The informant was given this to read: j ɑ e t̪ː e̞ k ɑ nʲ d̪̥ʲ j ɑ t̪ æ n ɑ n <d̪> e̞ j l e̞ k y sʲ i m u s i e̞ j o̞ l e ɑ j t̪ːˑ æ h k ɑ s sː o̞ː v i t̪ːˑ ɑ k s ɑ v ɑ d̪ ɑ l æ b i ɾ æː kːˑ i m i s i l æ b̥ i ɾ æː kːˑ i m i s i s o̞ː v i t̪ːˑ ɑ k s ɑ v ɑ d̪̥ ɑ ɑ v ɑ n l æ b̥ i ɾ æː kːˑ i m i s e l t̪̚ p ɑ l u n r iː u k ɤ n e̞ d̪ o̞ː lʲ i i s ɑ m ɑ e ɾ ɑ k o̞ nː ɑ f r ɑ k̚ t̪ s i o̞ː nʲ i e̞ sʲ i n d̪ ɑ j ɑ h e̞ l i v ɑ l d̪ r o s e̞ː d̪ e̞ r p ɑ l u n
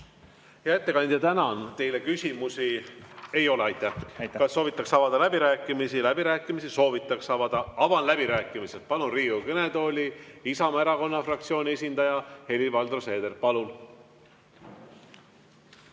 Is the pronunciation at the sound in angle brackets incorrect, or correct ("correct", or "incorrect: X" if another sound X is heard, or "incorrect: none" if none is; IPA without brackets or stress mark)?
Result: incorrect: t̪